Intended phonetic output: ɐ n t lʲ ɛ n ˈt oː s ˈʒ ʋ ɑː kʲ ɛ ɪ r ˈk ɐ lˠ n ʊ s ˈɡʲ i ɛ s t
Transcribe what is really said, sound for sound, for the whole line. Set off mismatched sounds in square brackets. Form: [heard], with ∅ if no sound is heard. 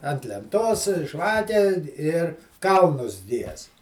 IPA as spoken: ɐ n t lʲ ɛ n ˈt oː s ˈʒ ʋ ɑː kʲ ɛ ɪ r ˈk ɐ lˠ n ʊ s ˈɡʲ i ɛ s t